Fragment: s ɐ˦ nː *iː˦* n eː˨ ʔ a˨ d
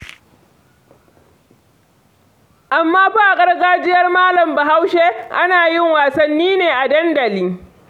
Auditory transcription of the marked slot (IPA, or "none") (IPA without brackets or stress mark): iː˦